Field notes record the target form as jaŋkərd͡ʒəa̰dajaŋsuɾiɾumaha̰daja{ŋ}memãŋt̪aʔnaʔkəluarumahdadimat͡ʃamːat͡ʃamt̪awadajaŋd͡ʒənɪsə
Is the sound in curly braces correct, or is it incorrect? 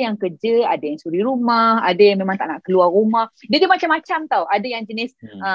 correct